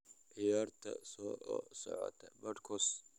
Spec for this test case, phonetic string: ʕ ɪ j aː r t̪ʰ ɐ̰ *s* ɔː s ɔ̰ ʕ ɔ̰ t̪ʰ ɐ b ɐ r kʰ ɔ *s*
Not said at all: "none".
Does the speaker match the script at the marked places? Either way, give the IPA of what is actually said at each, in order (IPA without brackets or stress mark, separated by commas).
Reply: s, s